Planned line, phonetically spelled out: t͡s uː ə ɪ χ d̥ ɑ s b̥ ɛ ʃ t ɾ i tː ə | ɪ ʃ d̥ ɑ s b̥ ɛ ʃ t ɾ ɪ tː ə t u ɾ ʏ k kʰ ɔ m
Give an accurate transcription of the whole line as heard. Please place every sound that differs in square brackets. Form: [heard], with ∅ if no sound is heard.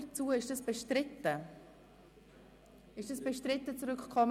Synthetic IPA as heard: t͡s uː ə ɪ [ʃ] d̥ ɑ s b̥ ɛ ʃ t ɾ [ɪ] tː ə | ɪ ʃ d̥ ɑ s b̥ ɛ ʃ t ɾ ɪ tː ə [t͡s] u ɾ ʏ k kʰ ɔ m